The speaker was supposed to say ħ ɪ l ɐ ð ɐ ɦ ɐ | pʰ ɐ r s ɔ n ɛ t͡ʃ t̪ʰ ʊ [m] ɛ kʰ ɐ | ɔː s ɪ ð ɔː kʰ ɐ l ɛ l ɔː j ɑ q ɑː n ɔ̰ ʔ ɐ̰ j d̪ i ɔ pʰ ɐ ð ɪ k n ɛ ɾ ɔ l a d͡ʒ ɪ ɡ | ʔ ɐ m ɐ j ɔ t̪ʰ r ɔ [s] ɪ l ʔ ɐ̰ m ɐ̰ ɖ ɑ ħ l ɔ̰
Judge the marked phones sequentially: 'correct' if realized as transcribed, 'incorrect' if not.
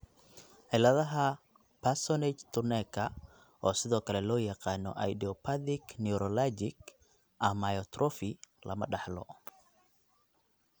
incorrect: n, incorrect: f

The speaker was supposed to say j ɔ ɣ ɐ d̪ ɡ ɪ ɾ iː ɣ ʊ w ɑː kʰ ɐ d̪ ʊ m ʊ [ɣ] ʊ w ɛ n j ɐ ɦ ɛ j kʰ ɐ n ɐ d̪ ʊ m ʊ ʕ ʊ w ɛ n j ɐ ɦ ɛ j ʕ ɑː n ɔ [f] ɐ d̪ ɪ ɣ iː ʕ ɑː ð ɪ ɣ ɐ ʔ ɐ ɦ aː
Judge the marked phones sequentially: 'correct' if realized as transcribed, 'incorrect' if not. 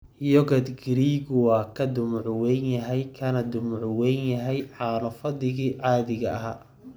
incorrect: ʕ, correct

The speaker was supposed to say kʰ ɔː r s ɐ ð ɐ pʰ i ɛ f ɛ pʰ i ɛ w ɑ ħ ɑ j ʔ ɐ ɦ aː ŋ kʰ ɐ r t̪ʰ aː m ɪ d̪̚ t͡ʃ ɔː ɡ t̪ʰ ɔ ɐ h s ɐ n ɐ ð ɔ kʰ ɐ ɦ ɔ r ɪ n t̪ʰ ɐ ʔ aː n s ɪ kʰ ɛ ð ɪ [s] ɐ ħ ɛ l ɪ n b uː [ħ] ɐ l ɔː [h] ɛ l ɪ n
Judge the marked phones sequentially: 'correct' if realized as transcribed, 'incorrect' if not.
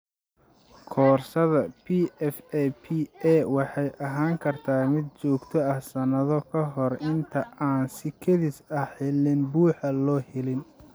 correct, correct, correct

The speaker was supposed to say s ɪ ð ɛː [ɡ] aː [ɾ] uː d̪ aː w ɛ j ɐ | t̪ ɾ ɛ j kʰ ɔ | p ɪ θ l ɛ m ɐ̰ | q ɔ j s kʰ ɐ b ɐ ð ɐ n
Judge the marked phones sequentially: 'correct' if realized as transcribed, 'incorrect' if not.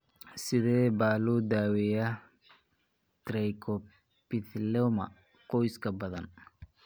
incorrect: b, incorrect: l

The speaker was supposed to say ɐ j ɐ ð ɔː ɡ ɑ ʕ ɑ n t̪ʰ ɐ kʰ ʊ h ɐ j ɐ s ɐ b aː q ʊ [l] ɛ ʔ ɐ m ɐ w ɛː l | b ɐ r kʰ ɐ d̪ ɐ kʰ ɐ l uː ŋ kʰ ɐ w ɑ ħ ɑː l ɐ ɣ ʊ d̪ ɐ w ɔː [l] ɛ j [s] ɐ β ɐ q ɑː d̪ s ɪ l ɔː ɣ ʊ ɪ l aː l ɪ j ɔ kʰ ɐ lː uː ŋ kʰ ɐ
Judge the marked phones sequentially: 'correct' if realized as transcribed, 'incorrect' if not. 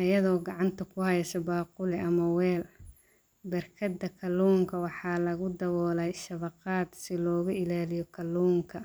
correct, correct, incorrect: ʃ

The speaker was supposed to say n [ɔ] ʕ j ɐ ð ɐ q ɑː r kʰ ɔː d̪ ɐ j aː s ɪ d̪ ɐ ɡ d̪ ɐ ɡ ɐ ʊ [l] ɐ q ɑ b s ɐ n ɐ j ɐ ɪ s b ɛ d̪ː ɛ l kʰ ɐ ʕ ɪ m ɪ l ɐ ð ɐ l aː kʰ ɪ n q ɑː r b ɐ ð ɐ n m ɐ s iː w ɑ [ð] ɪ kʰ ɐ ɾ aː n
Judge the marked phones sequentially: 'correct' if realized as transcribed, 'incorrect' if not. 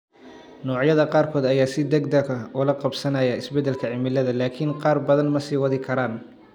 incorrect: ɔː, correct, correct

